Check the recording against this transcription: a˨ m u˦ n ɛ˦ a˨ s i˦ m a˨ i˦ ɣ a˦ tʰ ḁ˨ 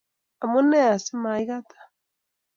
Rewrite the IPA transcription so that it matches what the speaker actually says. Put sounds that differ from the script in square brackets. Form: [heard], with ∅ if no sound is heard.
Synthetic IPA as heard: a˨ m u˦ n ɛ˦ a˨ s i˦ m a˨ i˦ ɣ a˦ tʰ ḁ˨